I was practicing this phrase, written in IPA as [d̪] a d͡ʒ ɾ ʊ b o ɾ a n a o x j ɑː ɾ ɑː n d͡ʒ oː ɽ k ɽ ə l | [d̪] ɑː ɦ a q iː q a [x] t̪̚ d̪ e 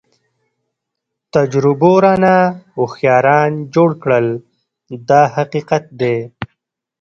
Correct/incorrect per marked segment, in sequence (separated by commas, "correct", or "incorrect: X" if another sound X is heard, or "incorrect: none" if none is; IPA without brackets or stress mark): incorrect: t̪, correct, incorrect: none